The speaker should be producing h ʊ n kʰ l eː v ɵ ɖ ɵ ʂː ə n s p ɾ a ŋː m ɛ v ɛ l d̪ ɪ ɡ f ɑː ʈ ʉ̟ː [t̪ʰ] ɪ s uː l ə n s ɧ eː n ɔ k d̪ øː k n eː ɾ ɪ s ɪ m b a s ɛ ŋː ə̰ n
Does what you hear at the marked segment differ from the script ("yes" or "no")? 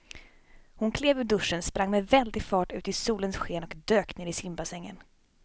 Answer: yes